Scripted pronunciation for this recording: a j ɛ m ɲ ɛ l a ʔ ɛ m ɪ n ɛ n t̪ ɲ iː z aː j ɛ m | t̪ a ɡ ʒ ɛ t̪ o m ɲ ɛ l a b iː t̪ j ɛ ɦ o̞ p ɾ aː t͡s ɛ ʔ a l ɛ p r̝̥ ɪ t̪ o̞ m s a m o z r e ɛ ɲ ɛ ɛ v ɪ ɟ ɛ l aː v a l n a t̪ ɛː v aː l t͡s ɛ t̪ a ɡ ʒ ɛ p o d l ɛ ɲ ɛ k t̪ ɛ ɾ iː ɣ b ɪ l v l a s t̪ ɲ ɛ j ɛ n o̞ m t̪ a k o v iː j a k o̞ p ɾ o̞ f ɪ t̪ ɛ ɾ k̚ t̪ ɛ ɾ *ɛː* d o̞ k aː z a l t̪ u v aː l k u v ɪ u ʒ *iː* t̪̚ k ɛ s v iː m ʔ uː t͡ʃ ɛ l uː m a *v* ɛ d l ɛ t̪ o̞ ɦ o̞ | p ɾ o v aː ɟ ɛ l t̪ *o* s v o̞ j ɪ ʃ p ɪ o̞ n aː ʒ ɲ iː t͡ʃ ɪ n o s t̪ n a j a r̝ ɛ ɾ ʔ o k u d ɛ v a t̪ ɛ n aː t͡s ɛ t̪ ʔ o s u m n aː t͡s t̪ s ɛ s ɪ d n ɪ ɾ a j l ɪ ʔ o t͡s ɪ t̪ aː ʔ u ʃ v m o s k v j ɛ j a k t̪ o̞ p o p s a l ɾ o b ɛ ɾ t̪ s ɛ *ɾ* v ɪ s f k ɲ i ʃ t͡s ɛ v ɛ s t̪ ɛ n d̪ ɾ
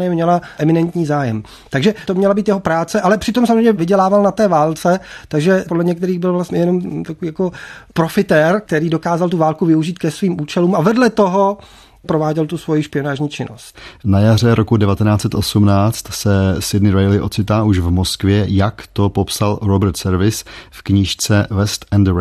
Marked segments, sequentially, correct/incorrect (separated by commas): incorrect, correct, correct, incorrect, correct